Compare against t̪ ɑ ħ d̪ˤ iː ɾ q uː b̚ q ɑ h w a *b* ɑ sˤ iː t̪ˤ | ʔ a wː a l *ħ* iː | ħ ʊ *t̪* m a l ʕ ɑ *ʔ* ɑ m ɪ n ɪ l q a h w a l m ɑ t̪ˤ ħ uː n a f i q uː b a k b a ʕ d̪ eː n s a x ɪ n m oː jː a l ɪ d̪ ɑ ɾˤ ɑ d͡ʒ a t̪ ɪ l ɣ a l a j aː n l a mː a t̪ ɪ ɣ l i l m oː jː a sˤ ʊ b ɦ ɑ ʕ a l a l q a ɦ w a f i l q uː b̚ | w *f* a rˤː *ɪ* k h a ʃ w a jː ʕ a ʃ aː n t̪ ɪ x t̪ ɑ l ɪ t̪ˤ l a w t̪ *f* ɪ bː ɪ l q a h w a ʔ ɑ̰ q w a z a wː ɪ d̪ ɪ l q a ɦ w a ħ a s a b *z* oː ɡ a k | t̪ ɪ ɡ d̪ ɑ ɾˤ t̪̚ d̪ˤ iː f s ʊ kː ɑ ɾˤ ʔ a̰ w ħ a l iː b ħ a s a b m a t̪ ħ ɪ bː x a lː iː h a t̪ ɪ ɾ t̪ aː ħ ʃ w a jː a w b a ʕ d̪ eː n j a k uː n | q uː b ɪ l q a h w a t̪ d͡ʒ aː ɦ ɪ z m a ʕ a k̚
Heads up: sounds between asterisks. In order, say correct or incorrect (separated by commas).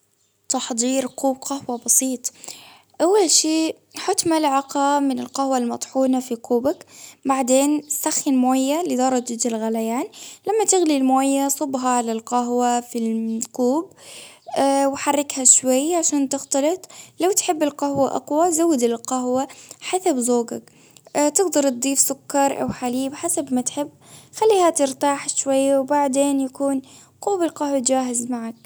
correct, incorrect, correct, incorrect, incorrect, correct, incorrect, correct